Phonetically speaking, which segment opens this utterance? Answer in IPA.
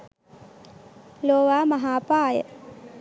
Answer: l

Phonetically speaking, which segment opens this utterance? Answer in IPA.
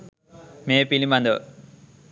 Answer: m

